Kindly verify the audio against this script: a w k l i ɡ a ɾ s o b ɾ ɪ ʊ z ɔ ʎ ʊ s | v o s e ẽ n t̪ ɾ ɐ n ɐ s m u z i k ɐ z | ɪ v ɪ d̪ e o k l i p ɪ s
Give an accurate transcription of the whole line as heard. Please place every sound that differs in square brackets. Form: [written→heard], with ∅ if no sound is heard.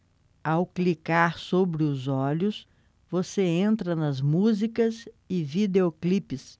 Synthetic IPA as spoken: a w k l i [ɡ→k] a ɾ s o b ɾ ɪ ʊ z ɔ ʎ ʊ s | v o s e ẽ n t̪ ɾ ɐ n ɐ [s→z] m u z i k ɐ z | ɪ v [ɪ→i] d̪ e o k l i p ɪ s